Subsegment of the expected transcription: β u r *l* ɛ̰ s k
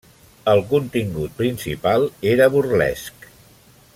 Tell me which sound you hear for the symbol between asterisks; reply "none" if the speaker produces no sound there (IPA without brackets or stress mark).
l